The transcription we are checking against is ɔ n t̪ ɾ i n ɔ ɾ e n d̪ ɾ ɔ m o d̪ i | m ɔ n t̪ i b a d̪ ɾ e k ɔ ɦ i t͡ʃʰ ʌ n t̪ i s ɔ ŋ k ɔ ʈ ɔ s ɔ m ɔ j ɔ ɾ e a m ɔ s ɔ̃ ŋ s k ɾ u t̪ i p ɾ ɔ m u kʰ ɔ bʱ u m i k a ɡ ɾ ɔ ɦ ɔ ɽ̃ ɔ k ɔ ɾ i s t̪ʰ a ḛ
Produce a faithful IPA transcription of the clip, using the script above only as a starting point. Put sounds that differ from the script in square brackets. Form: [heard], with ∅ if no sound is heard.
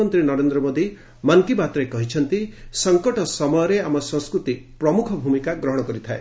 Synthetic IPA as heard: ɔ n t̪ ɾ i n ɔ ɾ e n d̪ ɾ ɔ m o d̪ i | m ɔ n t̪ i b a [t̪] ɾ e k ɔ ɦ i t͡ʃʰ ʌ n t̪ i s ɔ ŋ k ɔ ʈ ɔ s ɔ m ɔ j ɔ ɾ e a m ɔ s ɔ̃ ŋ s k ɾ u t̪ i p ɾ ɔ m u kʰ ɔ bʱ u m i k a ɡ ɾ ɔ ɦ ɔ ɽ̃ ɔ k ɔ ɾ i [∅] t̪ʰ a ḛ